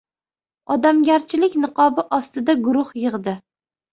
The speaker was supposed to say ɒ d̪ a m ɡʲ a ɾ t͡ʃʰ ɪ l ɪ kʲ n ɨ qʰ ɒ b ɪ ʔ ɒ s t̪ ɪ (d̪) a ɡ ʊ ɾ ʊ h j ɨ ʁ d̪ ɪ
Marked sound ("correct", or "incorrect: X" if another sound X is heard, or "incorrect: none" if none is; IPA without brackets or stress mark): correct